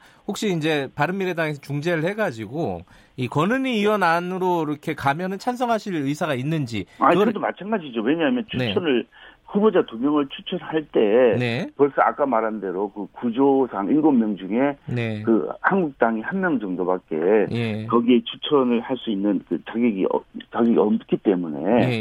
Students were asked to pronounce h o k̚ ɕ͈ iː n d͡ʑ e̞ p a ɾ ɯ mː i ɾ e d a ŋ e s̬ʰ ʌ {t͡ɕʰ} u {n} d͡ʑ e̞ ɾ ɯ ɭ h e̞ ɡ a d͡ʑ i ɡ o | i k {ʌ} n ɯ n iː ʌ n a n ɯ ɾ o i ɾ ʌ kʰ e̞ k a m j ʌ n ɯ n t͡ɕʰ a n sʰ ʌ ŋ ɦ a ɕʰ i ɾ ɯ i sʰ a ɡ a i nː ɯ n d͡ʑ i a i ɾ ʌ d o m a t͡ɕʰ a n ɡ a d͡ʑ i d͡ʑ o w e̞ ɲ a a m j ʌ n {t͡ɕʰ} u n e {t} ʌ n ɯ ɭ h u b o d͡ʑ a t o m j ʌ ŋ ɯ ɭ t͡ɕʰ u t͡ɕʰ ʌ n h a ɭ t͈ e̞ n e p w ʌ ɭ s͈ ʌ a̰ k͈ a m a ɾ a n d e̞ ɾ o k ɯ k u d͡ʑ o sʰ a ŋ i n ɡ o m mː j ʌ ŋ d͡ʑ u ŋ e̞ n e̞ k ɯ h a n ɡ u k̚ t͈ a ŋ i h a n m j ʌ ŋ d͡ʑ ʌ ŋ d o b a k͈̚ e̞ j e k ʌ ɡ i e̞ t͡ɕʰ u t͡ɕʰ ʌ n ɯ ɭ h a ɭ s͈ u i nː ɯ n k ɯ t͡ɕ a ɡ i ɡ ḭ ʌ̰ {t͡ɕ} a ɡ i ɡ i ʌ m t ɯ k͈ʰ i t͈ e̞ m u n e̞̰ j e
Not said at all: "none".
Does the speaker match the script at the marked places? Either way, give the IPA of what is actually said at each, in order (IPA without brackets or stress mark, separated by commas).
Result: t͡ɕ, ŋ, ʌ, t͡ɕʰ, t͡ɕʰ, t͡ɕ